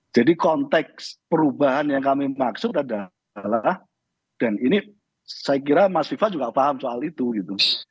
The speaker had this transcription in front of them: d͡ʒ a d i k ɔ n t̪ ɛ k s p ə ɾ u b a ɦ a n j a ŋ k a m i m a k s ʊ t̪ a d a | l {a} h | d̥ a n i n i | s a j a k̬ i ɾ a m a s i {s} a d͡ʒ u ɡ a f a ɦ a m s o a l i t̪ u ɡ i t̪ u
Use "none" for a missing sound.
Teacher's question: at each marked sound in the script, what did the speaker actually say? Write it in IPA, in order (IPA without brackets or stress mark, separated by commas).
a, f